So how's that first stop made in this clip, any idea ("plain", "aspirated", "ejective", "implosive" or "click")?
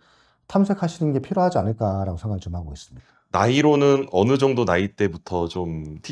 aspirated